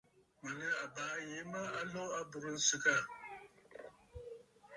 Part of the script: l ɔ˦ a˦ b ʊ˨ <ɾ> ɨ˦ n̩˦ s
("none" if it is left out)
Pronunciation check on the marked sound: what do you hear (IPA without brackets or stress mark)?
ɾ